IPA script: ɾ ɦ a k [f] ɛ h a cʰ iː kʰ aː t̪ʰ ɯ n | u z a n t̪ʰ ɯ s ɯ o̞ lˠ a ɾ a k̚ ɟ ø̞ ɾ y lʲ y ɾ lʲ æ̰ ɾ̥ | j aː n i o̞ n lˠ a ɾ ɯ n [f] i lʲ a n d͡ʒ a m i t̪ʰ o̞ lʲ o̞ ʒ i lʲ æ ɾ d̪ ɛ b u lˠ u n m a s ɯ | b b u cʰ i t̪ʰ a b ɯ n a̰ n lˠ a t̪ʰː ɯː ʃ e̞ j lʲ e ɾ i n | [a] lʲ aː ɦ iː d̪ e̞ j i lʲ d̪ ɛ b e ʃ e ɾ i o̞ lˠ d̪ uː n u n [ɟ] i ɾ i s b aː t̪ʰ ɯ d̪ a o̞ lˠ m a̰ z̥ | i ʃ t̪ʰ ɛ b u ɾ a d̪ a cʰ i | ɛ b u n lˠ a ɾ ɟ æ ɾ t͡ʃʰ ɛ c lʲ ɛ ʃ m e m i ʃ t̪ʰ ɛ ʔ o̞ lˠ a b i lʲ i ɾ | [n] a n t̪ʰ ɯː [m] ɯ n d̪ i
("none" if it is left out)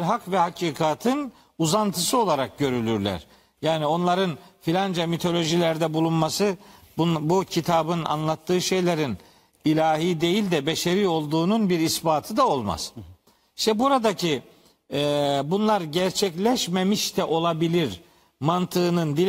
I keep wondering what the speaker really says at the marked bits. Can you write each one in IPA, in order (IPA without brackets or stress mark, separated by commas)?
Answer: v, f, i, b, m, n